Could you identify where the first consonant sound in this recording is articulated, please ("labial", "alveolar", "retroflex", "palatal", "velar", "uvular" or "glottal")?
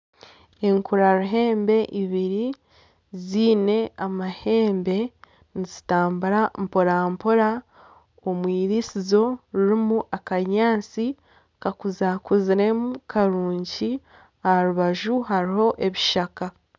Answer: velar